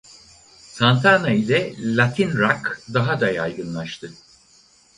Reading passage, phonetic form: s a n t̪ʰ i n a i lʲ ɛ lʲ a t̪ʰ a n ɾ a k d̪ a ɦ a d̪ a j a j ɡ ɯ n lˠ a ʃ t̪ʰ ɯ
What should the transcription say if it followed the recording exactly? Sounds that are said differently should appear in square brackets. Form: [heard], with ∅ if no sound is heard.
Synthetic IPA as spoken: s a n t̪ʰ [a] n a i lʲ ɛ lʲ a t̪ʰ [i] n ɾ a k d̪ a ɦ a d̪ a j a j ɡ ɯ n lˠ a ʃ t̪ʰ ɯ